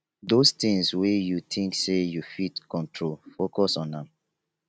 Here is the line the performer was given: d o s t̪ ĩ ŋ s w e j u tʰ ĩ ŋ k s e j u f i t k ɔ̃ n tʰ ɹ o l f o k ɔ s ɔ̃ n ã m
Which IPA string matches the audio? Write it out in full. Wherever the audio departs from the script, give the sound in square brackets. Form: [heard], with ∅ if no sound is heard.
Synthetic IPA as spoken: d o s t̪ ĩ ŋ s w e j u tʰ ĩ ŋ k s e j u f i t k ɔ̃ n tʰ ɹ o l f o k ɔ s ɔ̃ n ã m